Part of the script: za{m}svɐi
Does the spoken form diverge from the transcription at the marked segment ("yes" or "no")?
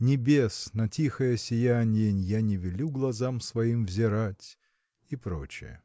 no